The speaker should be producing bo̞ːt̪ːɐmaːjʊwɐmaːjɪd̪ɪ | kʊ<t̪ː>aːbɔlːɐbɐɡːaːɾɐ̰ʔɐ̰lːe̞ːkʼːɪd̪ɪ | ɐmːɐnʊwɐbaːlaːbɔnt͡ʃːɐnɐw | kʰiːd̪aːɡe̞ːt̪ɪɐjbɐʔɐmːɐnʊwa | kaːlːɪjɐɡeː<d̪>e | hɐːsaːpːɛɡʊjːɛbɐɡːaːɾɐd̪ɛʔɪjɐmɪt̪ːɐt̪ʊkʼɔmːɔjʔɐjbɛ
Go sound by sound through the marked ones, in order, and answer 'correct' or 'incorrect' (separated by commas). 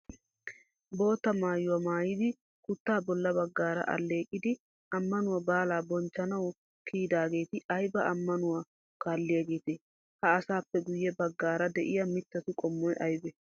correct, incorrect